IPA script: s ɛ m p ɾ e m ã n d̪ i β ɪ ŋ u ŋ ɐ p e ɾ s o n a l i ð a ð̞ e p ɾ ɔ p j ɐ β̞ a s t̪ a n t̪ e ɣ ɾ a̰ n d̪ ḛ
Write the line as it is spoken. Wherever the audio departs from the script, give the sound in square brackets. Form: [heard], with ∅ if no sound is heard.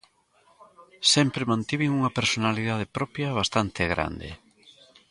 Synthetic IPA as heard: s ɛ m p ɾ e m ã n [t̪] i β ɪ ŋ u ŋ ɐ p e ɾ s o n a l i ð a ð̞ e p ɾ ɔ p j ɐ β̞ a s t̪ a n t̪ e ɣ ɾ a̰ n d̪ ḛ